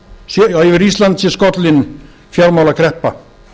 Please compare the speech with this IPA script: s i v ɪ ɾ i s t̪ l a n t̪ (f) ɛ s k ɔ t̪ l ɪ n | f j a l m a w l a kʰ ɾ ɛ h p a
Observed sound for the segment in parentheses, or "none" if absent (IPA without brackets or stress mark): s